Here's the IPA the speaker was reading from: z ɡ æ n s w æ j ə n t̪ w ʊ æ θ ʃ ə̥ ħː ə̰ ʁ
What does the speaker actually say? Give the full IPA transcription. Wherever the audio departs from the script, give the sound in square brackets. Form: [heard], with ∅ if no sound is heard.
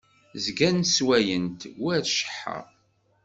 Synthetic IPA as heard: z ɡ æ n s w æ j ə n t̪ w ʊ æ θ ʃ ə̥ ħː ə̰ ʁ